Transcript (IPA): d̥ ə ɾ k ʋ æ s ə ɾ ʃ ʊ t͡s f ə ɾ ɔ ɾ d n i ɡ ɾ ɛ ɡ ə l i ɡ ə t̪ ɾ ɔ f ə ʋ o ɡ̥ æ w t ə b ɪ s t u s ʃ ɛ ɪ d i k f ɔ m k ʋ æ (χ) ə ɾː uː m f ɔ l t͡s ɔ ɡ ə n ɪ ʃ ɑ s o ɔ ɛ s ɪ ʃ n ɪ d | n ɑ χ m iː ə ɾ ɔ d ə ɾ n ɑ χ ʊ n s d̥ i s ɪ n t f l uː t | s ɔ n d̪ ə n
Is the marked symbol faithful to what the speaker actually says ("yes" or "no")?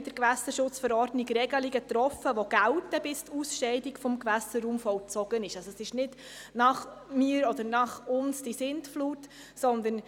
no